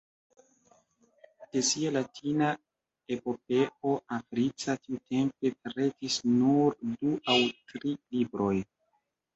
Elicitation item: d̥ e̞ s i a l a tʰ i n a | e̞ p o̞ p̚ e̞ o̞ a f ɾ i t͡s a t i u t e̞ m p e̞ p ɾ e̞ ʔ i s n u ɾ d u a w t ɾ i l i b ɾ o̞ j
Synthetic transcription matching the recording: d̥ e̞ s i a l a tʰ i n a | e̞ p o̞ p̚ e̞ o̞ a f ɾ i t͡s a t i u t e̞ m p e̞ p ɾ e̞ t i s n u ɾ d u a w t ɾ i l i b ɾ o̞ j